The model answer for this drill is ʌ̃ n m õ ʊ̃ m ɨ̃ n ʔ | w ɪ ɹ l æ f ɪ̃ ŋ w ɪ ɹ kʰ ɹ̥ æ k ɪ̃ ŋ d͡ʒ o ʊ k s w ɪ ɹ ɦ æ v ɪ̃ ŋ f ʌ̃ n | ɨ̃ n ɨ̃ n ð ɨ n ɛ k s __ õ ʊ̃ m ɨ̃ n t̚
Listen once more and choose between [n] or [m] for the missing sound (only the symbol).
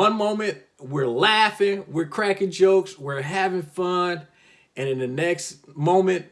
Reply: m